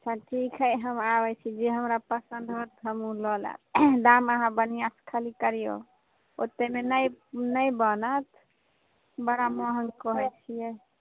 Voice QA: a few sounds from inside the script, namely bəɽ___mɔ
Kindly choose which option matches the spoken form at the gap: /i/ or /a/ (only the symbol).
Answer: a